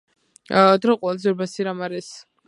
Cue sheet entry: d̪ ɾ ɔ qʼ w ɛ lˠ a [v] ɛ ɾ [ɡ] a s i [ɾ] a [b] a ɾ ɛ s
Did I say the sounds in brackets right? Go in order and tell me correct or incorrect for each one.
incorrect, incorrect, correct, incorrect

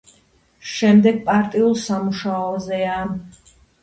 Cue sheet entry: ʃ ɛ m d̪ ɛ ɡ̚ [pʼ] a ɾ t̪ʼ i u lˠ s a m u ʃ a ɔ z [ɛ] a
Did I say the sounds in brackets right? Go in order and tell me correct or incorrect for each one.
correct, correct

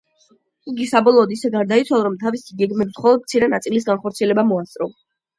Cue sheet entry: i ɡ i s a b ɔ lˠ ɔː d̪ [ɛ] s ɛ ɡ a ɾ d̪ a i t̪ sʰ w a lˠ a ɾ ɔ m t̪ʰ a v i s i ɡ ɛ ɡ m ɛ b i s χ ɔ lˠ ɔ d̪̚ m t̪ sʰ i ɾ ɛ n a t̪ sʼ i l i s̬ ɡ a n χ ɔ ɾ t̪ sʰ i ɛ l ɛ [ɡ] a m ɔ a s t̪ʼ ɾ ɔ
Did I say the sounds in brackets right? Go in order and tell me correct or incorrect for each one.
incorrect, incorrect

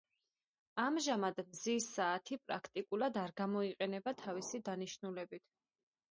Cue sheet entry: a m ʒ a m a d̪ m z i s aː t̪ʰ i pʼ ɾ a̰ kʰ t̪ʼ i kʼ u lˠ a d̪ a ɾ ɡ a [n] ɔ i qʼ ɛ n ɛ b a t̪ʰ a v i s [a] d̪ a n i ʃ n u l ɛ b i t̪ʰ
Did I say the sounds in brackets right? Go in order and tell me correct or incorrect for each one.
incorrect, incorrect

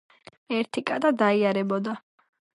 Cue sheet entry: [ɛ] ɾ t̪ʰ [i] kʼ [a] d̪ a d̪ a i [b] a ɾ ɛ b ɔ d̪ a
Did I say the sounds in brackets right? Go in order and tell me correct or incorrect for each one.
correct, correct, correct, incorrect

